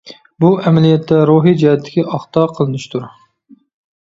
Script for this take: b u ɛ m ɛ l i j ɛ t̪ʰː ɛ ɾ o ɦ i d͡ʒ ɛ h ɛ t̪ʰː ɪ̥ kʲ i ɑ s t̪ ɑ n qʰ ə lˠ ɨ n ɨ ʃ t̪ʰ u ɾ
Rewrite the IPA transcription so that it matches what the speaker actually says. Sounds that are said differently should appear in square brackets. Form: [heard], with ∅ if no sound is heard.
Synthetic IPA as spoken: b u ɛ m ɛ l i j ɛ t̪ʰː ɛ ɾ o ɦ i d͡ʒ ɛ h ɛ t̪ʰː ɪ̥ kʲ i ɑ [χ] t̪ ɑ [∅] qʰ ə lˠ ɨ n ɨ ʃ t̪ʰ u ɾ

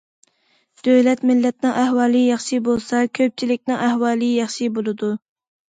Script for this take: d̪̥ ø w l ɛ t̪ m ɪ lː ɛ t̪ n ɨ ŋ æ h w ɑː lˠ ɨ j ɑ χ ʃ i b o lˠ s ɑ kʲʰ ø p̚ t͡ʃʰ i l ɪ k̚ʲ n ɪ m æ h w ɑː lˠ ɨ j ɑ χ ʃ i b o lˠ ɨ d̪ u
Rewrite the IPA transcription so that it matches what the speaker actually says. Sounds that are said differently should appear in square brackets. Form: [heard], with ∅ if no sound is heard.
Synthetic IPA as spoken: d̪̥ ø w l ɛ t̪ m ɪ lː ɛ t̪ n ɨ ŋ æ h w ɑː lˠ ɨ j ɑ χ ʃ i b o lˠ s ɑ kʲʰ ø p̚ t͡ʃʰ i l ɪ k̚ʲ n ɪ [ŋ] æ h w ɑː lˠ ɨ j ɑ χ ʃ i b o lˠ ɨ d̪ u

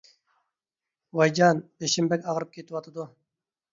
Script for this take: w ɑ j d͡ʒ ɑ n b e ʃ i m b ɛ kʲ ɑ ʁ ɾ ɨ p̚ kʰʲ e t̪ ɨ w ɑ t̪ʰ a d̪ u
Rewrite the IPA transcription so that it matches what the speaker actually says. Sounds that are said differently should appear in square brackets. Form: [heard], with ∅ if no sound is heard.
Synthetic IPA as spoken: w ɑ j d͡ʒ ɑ n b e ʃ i m b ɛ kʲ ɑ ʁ ɾ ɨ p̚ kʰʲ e t̪ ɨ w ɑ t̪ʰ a d̪ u

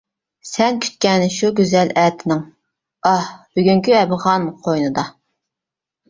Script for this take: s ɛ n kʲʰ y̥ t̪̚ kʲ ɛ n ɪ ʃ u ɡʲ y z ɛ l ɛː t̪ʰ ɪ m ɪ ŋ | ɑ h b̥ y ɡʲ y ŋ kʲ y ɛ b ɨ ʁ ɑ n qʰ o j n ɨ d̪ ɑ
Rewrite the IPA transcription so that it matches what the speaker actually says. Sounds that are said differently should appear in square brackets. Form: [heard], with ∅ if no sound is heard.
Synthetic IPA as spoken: s ɛ n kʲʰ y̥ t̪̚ kʲ ɛ n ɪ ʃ u ɡʲ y z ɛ l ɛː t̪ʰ ɪ [n] ɪ ŋ | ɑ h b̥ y ɡʲ y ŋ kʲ y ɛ b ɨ ʁ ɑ n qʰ o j n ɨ d̪ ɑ

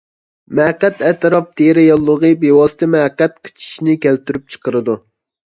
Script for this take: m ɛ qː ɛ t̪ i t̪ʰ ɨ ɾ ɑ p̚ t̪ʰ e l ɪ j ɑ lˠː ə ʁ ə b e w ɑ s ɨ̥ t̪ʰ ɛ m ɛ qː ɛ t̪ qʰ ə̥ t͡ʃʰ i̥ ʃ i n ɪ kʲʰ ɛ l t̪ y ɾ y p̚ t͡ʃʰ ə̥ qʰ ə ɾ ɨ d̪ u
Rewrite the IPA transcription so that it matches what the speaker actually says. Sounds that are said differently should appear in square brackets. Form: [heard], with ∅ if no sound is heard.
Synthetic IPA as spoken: m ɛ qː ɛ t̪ [ɛ] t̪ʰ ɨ ɾ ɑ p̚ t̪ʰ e [ɾ] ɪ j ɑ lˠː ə ʁ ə b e w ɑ s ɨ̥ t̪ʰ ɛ m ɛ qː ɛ t̪ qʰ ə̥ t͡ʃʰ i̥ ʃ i n ɪ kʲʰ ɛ l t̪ y ɾ y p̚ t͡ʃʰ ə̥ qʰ ə ɾ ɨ d̪ u

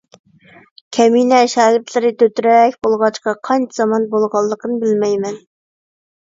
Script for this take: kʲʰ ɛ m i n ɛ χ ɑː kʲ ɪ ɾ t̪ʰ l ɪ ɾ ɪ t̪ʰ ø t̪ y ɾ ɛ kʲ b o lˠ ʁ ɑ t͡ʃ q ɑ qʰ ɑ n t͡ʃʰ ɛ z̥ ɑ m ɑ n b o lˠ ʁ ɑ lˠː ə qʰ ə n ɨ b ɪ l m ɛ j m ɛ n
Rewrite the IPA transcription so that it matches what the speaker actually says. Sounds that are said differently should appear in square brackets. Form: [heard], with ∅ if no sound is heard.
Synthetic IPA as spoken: kʲʰ ɛ m i n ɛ [ʃ] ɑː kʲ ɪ ɾ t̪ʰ l ɪ ɾ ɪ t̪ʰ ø t̪ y ɾ ɛ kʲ b o lˠ ʁ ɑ t͡ʃ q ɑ qʰ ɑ n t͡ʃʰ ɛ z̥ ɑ m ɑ n b o lˠ ʁ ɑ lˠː ə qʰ ə n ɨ b ɪ l m ɛ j m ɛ n

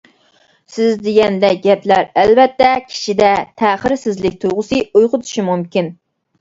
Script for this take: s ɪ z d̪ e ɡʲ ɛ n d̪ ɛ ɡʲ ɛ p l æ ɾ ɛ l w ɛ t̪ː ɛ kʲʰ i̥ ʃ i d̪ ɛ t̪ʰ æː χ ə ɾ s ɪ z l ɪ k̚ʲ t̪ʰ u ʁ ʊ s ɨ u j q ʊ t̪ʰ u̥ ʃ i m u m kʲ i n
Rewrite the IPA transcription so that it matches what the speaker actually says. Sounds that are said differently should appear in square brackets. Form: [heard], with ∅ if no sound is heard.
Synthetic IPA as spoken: s ɪ z d̪ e ɡʲ ɛ n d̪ ɛ ɡʲ ɛ p l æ ɾ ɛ l [v] ɛ t̪ː ɛ kʲʰ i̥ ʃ i d̪ ɛ t̪ʰ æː χ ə ɾ s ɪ z l ɪ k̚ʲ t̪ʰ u ʁ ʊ s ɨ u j q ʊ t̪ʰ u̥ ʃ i m u m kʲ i n

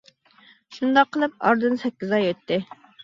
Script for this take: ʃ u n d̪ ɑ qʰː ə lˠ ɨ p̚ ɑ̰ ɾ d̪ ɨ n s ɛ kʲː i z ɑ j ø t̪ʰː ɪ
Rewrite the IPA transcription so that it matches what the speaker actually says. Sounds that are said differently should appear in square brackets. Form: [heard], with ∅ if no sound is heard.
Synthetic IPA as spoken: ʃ u n d̪ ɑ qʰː ə lˠ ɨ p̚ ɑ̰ ɾ d̪ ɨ n s ɛ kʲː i z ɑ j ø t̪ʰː ɪ

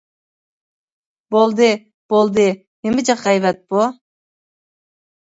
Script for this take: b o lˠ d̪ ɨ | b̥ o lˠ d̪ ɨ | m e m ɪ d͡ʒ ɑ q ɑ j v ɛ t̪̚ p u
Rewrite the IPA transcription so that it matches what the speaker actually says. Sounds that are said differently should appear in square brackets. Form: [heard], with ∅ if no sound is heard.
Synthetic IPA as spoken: b o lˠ d̪ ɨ | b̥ o lˠ d̪ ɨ | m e m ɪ d͡ʒ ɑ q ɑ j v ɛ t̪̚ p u

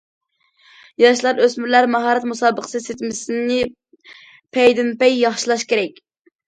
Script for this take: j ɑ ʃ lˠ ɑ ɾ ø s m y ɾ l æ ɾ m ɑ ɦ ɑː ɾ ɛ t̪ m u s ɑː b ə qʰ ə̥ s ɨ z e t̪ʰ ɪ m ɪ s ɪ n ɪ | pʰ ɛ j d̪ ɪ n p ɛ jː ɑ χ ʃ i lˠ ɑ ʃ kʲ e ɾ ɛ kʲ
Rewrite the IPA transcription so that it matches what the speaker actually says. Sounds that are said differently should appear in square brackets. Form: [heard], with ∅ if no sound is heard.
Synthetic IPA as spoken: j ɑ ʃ lˠ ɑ ɾ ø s m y ɾ l æ ɾ m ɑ ɦ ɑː ɾ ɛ t̪ m u s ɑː b ə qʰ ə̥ s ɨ [s] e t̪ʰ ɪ m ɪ s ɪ n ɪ | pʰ ɛ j d̪ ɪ n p ɛ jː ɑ χ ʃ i lˠ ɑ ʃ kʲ e ɾ ɛ kʲ

